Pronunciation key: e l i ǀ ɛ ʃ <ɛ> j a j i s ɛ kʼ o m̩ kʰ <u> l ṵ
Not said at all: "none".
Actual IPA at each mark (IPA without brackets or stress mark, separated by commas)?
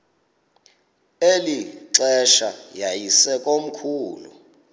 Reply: a, uː